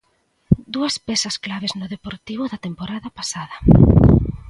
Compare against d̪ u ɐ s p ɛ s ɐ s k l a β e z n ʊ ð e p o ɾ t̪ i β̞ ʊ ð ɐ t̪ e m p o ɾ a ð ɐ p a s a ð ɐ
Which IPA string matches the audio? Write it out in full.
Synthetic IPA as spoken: d̪ u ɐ s p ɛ s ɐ s k l a β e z n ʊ ð e p o ɾ t̪ i β̞ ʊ ð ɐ t̪ e m p o ɾ a ð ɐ p a s a ð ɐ